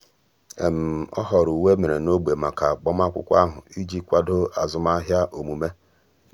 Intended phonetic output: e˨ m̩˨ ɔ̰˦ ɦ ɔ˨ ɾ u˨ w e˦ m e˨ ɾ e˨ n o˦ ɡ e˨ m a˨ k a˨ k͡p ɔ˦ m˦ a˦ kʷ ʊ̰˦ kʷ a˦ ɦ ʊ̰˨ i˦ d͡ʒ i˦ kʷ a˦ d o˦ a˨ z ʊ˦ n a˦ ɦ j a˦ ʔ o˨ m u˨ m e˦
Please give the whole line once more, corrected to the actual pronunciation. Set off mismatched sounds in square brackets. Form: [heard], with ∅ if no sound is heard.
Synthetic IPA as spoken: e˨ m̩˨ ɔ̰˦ ɦ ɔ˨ ɾ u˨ w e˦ m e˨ ɾ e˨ n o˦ [ɡ͡b] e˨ m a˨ k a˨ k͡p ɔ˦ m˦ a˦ kʷ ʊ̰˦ kʷ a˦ ɦ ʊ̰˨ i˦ d͡ʒ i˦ kʷ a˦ d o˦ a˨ z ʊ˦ [m] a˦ ɦ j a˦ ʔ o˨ m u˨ m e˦